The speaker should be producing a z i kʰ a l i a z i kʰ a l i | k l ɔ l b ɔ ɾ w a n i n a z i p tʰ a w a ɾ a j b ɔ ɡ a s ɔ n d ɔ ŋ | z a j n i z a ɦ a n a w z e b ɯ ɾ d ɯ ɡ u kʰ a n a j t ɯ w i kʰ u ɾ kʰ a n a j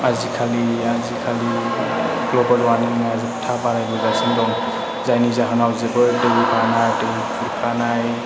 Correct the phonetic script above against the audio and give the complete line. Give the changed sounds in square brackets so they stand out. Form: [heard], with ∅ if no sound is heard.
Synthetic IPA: a z i kʰ a l i a z i kʰ a l i | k l ɔ [∅] b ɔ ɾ w a n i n a z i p tʰ a [b] a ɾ a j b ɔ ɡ a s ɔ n d ɔ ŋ | z a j n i z a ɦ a n a w z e b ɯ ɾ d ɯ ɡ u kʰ a n a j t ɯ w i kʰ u ɾ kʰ a n a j